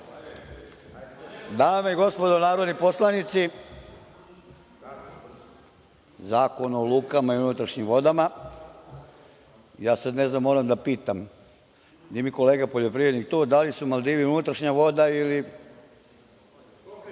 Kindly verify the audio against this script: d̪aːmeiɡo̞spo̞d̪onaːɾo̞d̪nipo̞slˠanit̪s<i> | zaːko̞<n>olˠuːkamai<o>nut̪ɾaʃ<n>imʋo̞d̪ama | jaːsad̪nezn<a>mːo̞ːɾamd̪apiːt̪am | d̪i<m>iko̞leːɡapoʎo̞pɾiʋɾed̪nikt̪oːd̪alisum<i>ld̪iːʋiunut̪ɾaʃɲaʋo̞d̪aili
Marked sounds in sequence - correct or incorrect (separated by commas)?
correct, correct, incorrect, incorrect, correct, correct, incorrect